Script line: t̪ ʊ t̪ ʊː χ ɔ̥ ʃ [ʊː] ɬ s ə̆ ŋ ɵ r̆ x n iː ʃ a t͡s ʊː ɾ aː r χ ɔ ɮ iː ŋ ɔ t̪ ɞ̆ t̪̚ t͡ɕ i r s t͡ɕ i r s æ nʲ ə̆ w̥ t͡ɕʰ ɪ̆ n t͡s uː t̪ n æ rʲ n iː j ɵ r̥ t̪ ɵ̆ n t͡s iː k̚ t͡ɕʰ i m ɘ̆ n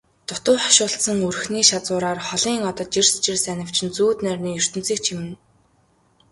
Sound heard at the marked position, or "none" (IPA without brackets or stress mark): ʊː